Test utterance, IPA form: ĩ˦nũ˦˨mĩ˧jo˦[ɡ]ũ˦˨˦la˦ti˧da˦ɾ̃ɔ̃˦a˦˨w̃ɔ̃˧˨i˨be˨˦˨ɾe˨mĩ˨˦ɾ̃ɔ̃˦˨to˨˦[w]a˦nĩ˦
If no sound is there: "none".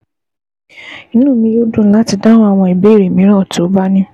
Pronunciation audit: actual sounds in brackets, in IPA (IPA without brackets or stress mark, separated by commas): d, b